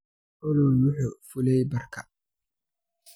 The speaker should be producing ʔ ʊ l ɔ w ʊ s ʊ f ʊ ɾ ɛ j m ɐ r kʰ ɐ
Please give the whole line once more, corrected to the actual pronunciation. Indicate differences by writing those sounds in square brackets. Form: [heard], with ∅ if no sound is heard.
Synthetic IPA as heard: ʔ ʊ l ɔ w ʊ [ħ] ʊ f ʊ [l] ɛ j [b] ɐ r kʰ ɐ